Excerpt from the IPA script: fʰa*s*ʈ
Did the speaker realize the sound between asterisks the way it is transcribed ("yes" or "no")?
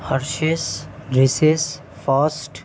yes